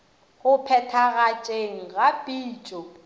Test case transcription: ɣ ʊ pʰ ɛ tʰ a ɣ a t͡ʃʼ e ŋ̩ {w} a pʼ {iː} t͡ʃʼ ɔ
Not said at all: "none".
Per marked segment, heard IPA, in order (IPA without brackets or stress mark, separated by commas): ɣ, iː